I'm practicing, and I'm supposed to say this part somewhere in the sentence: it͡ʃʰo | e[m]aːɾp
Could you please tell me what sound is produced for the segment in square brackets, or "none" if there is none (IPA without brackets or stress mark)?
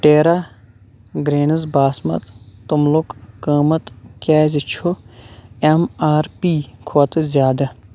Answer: m